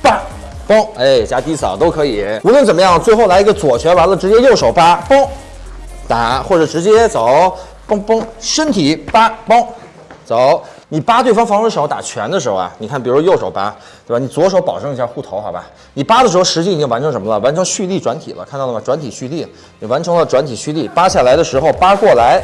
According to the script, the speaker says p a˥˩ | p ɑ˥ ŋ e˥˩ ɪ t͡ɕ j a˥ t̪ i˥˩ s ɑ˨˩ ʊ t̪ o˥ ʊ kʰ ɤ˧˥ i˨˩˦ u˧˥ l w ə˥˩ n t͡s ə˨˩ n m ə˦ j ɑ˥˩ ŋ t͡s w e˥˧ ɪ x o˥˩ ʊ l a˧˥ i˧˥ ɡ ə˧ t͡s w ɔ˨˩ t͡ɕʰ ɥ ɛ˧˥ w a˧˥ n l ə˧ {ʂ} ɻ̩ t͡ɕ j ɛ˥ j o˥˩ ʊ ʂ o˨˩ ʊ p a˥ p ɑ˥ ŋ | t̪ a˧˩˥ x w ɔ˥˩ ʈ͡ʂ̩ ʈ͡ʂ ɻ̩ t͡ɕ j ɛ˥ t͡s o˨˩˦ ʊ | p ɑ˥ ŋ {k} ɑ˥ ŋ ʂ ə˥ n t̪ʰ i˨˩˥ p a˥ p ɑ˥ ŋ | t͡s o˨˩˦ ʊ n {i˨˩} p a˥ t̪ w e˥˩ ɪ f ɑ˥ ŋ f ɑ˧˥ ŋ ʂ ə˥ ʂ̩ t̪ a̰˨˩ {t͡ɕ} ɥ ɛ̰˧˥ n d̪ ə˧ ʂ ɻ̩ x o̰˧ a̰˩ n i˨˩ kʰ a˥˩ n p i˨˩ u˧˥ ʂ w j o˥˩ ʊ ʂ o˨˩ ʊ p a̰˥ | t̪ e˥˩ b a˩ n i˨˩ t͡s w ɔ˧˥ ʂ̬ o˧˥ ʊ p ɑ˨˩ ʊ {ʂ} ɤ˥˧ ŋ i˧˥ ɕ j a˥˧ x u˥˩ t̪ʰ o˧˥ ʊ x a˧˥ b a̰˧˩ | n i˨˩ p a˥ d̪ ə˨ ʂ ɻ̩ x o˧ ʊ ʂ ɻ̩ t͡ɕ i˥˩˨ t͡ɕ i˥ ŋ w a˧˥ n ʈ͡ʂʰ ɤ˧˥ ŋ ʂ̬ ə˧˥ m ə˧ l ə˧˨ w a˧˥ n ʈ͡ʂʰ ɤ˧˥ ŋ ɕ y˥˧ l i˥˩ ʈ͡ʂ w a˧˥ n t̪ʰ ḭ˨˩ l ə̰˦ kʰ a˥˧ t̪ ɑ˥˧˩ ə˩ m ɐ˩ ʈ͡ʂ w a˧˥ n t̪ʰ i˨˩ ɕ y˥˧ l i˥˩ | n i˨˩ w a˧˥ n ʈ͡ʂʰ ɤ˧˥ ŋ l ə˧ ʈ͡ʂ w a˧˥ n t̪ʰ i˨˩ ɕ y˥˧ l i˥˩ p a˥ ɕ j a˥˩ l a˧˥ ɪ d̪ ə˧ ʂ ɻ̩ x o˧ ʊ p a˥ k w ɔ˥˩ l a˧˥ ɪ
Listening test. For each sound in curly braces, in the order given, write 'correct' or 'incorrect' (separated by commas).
incorrect, incorrect, correct, incorrect, incorrect